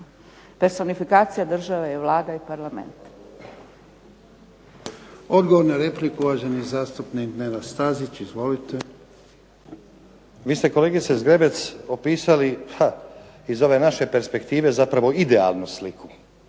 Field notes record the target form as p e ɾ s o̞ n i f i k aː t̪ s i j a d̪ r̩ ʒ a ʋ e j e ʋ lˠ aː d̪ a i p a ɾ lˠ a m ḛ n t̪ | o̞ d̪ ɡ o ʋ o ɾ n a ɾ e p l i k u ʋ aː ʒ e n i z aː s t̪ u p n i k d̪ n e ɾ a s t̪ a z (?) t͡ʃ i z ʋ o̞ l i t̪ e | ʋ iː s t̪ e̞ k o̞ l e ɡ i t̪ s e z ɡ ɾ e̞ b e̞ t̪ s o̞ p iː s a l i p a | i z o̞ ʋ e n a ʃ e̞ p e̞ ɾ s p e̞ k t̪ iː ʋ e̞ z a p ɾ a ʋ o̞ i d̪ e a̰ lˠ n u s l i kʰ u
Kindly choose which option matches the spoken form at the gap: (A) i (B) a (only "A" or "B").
A